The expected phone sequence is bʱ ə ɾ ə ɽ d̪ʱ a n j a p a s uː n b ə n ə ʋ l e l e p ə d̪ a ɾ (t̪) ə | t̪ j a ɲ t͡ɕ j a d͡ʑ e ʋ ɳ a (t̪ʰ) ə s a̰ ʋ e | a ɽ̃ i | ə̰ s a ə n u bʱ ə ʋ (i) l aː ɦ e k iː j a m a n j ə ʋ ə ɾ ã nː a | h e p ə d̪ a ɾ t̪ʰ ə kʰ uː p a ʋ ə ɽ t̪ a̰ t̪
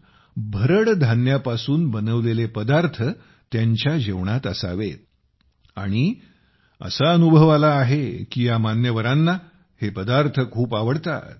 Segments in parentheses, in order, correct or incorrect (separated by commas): incorrect, incorrect, incorrect